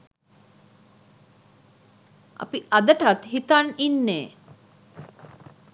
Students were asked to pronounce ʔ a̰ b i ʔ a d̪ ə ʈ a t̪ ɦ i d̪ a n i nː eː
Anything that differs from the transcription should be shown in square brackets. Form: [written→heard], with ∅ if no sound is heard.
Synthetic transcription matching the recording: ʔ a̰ [b→p] i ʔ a d̪ ə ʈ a t̪ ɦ i [d̪→t̪] a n i nː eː